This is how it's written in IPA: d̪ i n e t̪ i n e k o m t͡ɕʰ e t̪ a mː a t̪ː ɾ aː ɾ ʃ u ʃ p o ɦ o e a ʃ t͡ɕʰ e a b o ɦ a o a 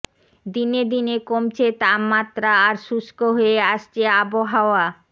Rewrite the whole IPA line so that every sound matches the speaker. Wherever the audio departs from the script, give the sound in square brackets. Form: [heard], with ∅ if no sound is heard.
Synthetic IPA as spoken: d̪ i n e [d̪] i n e k o m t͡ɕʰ e t̪ a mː a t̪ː ɾ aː ɾ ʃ u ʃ [k] o ɦ o e a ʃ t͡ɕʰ e a b o ɦ a o a